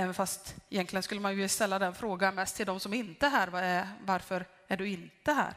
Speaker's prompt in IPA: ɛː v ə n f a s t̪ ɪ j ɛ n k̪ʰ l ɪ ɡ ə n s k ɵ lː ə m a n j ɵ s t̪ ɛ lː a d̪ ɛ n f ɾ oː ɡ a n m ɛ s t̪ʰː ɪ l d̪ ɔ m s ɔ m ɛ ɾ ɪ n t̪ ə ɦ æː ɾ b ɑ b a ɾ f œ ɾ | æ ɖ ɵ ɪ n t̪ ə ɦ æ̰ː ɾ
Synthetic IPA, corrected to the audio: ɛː v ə n f a s t̪ ɪ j ɛ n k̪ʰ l ɪ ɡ ə n s k ɵ lː ə m a n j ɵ s t̪ ɛ lː a d̪ ɛ n f ɾ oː ɡ a n m ɛ s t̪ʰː ɪ l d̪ ɔ m s ɔ m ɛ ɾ ɪ n t̪ ə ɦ æː ɾ v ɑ v a ɾ f œ ɾ | æ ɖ ɵ ɪ n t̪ ə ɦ æ̰ː ɾ